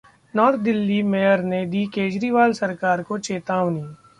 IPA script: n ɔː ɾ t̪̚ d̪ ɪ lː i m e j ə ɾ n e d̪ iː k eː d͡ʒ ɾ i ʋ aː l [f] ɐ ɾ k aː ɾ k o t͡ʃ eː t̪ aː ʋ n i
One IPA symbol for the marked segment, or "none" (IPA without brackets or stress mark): s